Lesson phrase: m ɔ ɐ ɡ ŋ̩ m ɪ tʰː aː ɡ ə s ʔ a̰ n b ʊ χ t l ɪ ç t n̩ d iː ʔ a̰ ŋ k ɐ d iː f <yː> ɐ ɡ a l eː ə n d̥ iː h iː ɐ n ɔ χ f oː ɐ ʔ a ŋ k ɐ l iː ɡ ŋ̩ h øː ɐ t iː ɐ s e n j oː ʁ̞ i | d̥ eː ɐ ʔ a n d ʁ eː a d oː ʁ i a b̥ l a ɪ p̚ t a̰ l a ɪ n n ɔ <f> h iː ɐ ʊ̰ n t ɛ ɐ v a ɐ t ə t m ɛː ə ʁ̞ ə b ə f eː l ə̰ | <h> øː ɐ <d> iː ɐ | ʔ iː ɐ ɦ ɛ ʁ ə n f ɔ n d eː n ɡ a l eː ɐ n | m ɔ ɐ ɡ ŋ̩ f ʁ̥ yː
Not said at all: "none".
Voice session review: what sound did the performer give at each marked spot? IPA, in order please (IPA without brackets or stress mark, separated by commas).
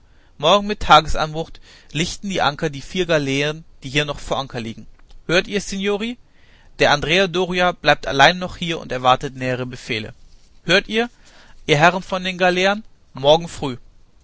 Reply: iː, χ, h, t